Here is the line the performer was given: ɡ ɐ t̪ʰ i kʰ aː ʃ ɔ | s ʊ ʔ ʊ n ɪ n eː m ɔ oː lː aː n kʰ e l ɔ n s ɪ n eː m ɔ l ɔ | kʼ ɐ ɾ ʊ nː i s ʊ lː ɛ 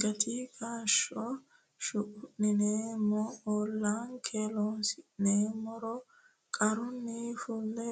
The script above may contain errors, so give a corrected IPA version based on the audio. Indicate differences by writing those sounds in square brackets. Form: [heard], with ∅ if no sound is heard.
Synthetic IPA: ɡ ɐ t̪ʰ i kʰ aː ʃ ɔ | [ʃ] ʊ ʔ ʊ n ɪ n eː m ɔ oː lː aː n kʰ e l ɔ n s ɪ n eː m ɔ [ɾ] ɔ | kʼ ɐ ɾ ʊ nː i [f] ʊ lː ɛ